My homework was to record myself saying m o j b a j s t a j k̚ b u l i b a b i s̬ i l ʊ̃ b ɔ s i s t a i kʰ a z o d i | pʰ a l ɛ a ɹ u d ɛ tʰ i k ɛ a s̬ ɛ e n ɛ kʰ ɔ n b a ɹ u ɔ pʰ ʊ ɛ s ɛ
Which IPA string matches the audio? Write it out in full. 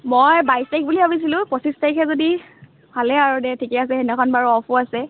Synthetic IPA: m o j b a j s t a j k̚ b u l i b a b i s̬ i l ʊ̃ p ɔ s i s t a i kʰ ɛ z o d i | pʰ a l ɛ a ɹ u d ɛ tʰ i k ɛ a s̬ ɛ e n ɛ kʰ ɔ n b a ɹ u ɔ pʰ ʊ a s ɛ